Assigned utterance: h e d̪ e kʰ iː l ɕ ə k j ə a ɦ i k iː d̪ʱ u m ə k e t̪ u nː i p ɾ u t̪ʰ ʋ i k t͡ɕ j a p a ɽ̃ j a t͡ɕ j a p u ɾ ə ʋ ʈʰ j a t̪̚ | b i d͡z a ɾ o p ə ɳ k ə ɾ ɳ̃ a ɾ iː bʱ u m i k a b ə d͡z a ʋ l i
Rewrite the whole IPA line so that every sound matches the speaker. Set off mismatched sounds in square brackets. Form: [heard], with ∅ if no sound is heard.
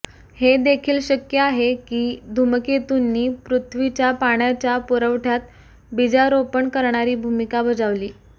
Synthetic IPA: h e d̪ e kʰ iː l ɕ ə k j ə a ɦ [e] k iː d̪ʱ u m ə k e t̪ u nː [iː] p ɾ u t̪ʰ ʋ i [∅] t͡ɕ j a p a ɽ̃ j a t͡ɕ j a p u ɾ ə ʋ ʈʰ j a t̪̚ | b i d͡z a ɾ o p ə ɳ k ə ɾ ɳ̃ a ɾ iː bʱ u m i k a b ə d͡z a ʋ l [iː]